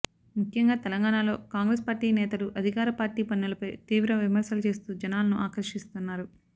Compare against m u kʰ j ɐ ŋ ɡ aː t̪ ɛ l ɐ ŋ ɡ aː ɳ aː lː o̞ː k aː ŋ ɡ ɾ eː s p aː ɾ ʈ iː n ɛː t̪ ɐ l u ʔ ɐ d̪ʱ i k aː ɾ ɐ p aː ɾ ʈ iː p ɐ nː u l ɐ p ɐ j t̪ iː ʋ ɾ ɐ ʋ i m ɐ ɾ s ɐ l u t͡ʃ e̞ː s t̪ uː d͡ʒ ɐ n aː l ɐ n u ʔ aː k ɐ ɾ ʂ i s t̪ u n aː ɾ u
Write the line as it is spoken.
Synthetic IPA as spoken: m u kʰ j ɐ ŋ ɡ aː t̪ ɛ l ɐ ŋ ɡ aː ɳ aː l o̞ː k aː ŋ ɡ ɾ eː s p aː ɾ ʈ iː n ɛː t̪ ɐ l u ʔ ɐ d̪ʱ i k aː ɾ ɐ p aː ɾ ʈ iː p ɐ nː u l ɐ p ɐ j t̪ iː ʋ ɾ ɐ ʋ i m ɐ ɾ s ɐ l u t͡ʃ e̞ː s t̪ uː d͡ʒ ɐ n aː l ɐ n u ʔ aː k ɐ ɾ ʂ i s t̪ u nː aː ɾ u

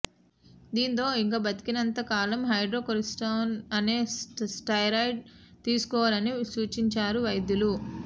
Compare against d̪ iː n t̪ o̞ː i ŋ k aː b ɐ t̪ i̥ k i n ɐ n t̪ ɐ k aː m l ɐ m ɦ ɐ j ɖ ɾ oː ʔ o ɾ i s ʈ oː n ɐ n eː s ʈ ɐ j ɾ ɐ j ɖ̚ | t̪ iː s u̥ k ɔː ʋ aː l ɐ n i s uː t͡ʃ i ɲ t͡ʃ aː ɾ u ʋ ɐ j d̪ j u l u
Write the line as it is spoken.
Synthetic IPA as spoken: d̪ iː n t̪ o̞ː i ŋ k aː b ɐ t̪ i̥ k i n ɐ n t̪ ɐ k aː l ɐ m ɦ ɐ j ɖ ɾ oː k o ɾ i s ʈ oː n ɐ n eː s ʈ ɐ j ɾ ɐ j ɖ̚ | t̪ iː s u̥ k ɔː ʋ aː l ɐ n i s uː t͡ʃ i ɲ t͡ʃ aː ɾ u ʋ ɐ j d̪ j u l u

